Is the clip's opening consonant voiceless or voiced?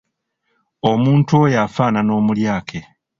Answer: voiced